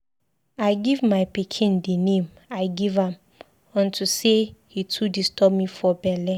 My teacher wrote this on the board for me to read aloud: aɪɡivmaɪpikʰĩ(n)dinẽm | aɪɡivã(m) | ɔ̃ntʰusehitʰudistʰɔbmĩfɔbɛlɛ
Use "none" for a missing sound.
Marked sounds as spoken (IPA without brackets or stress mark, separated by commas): n, m